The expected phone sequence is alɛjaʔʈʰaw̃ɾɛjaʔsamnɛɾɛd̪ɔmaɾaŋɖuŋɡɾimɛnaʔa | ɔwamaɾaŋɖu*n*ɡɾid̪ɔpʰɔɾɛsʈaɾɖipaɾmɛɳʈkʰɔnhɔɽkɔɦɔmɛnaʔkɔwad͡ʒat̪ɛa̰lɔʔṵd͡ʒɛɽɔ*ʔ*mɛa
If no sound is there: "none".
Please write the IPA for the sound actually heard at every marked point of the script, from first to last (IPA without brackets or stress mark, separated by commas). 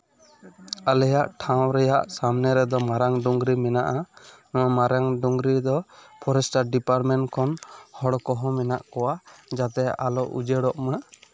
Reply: ŋ, ʔ